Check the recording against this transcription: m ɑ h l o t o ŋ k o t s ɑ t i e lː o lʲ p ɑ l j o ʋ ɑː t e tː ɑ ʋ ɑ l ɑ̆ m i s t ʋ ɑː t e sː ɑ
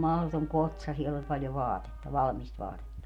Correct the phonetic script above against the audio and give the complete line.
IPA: m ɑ h l o t o ŋ k o t s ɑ s i e lː o lʲ p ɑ l j o ʋ ɑː t e tː ɑ ʋ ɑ l ɑ̆ m i s t ʋ ɑː t e tː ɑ